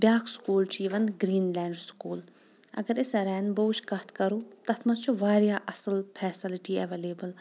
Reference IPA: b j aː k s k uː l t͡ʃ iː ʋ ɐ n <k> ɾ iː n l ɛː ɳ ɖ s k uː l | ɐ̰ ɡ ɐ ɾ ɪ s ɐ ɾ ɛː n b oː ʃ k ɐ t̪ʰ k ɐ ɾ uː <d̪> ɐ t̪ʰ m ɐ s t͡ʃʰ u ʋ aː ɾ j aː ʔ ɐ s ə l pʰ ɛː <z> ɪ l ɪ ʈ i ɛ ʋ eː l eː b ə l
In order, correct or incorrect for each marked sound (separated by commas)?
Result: incorrect, incorrect, incorrect